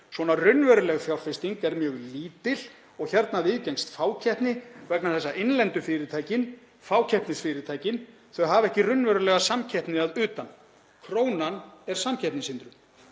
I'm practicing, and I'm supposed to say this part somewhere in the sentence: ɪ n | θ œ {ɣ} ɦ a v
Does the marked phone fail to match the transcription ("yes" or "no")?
no